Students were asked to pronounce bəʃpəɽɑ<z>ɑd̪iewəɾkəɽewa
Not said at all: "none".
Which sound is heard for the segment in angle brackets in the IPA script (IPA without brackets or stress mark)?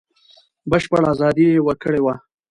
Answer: z